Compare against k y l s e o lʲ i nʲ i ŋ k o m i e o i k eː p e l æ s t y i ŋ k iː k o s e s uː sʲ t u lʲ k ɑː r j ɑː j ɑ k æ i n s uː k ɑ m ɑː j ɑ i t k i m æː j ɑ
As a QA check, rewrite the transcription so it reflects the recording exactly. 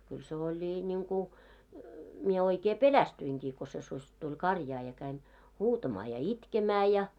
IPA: k y l s e o lʲ i nʲ i ŋ k u m i e o i k eː p e l æ s t y i ŋ k iː k o s e s u sʲ t u lʲ k ɑ r j ɑː j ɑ k æ i n h uː t ɑ m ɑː j ɑ i t k e m æː j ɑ

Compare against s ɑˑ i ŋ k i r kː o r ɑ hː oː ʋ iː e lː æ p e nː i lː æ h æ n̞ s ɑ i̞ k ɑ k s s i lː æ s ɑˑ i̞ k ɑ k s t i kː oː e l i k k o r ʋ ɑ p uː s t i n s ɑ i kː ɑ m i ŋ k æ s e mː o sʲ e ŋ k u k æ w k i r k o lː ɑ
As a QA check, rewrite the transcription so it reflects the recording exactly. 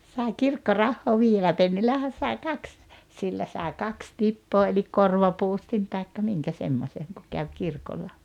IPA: s ɑˑ i ŋ k i r kː o r ɑ hː oː ʋ iː e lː æ p e nː i lː æ h æ n̞ s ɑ i̞ k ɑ k s s i lː æ s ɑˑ i̞ k ɑ k s t i pː oː e l i k k o r ʋ ɑ p uː s t i n t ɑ i kː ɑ m i ŋ k æ s e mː o sʲ e ŋ k u k æ w k i r k o lː ɑ

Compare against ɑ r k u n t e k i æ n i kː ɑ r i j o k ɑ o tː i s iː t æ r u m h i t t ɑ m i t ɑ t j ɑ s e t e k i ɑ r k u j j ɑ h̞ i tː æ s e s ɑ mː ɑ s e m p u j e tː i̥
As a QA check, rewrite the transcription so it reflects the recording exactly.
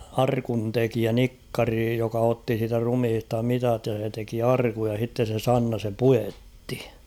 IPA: ɑ r k u n t e k i æ n i kː ɑ r i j o k ɑ o tː i s iː t æ r u m h i s t ɑ m i t ɑ t j ɑ s e t e k i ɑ r k u j j ɑ h̞ i tː e s e s ɑ nː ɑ s e m p u j e tː i̥

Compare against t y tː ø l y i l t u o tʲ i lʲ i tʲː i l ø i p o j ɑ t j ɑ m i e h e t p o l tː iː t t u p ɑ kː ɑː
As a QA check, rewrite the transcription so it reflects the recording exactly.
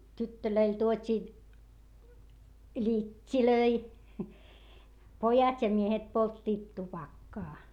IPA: t y tː ø l ø i l t u o tʲ iː lʲ i tʲː i l ø i p o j ɑ t j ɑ m i e h e t p o l tː iː t t u p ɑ kː ɑː

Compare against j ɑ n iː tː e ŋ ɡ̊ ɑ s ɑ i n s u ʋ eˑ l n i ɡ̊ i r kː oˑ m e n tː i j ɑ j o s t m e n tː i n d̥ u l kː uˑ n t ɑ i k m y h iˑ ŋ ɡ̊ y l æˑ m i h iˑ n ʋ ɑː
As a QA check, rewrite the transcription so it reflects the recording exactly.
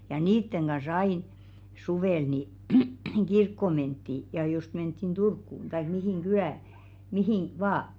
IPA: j ɑ n iː tː e ŋ ɡ̊ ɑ s ɑ i n s u ʋ eˑ l n i ɡ̊ i r kː oˑ m e n tː i j ɑ j o s t m e n tː i n d̥ u r kː uˑ n t ɑ i k m i h iˑ ŋ ɡ̊ y l æˑ m i h iˑ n ʋ ɑː

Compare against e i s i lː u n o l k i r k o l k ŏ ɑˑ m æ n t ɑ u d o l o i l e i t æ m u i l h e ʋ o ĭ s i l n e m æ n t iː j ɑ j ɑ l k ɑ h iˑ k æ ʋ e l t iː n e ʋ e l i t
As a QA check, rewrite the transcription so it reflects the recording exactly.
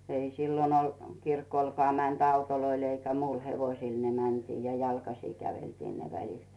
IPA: e i s i lː o n o l k i r k o l k ŏ ɑˑ m æ n t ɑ u t o l o i l e i k æ m u i l h e ʋ o ĭ s i l n e m æ n t iː j ɑ j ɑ l k ɑ s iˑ k æ ʋ e l t iː n e ʋ æ l i t

